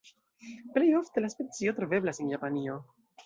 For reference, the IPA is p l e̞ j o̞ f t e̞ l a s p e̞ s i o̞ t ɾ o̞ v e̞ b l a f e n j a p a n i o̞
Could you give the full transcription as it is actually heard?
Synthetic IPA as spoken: p l e̞ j o̞ f t e̞ l a s p e̞ t͡s i o̞ t ɾ o̞ v e̞ b l a s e n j a p a n i o̞